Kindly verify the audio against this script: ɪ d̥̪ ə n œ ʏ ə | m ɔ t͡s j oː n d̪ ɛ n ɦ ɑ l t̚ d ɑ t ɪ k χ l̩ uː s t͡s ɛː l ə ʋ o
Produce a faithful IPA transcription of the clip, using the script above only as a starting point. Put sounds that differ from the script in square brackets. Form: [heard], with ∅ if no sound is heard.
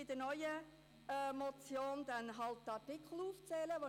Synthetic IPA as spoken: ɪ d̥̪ ə n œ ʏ ə | m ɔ t͡s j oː n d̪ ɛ n ɦ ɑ l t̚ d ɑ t ɪ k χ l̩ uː [f] t͡s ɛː l ə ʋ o